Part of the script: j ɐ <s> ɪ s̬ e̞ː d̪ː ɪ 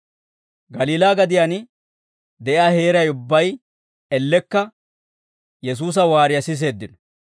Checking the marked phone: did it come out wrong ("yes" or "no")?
no